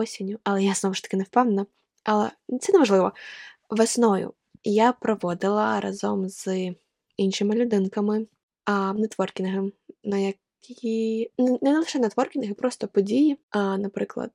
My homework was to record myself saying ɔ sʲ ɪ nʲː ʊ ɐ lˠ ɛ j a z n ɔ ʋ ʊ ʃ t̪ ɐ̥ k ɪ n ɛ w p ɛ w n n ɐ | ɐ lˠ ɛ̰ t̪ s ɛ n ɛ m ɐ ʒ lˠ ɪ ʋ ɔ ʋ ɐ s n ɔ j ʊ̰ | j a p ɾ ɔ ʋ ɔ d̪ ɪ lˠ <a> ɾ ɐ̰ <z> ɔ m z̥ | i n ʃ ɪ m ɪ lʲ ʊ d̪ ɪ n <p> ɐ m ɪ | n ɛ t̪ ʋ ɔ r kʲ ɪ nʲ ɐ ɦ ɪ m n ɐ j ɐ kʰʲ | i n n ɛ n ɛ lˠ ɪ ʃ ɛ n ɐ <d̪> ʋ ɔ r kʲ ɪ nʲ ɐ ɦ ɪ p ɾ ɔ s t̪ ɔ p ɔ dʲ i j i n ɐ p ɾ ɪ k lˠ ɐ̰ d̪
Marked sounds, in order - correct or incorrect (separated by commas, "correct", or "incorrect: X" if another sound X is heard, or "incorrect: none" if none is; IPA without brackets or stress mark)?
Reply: incorrect: ɐ, correct, incorrect: k, incorrect: t̪